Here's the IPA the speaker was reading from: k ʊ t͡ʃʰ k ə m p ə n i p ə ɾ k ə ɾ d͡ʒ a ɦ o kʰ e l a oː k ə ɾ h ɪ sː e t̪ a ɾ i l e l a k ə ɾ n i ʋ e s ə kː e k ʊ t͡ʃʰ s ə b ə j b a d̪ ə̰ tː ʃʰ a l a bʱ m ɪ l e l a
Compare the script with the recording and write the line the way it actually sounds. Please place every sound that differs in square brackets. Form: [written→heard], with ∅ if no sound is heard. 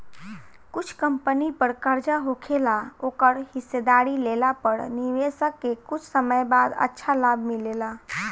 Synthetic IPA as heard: k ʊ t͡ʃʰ k ə m p ə n i p ə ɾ k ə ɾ d͡ʒ a ɦ o kʰ e l a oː k ə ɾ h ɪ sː e [t̪→d̪] a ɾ i l e l a [k→p] ə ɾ n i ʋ e s ə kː e k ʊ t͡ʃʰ s ə [b→m] ə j b a d̪ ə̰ tː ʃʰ a l a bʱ m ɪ l e l a